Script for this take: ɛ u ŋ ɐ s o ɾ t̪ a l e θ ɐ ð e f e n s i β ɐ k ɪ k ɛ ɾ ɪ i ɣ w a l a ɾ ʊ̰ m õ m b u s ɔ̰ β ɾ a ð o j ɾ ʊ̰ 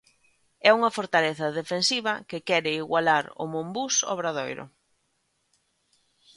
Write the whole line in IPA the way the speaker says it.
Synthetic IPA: ɛ u ŋ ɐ f o ɾ t̪ a l e θ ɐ ð e f e n s i β ɐ k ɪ k ɛ ɾ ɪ i ɣ w a l a ɾ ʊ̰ m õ m b u s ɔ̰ β ɾ a ð o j ɾ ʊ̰